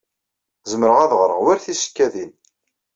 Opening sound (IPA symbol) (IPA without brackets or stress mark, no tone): z